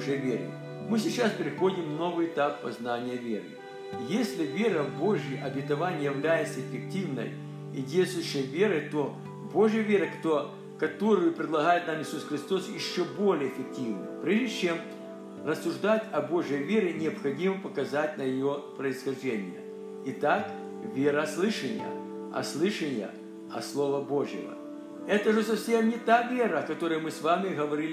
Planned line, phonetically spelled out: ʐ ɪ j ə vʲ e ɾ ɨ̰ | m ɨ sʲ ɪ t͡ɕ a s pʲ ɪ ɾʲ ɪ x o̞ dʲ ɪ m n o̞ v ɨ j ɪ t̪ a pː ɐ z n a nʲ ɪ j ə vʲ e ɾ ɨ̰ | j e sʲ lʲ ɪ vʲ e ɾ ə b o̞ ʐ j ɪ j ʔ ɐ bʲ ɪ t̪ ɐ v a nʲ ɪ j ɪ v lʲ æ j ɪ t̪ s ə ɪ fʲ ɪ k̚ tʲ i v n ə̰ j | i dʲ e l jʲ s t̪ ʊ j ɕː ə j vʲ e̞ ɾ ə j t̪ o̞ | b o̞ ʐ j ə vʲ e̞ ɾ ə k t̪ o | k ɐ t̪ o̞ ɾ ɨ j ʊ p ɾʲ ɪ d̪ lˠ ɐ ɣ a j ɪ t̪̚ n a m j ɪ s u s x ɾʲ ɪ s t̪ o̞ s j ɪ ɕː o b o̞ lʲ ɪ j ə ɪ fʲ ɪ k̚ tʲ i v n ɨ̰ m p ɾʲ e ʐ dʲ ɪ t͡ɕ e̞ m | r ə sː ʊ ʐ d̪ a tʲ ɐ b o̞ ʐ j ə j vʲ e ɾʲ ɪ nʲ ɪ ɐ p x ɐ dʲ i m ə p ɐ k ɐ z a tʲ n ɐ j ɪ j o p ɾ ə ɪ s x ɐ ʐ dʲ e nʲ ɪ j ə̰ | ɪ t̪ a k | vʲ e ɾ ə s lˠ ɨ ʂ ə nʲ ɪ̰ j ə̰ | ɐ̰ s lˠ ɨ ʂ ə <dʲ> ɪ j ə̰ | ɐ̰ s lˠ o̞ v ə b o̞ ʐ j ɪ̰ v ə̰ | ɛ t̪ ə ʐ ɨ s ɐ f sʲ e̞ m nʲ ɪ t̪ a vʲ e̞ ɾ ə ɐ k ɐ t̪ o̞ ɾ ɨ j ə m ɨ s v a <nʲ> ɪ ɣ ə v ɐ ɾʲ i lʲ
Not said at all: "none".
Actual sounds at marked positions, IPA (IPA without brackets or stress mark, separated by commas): nʲ, mʲ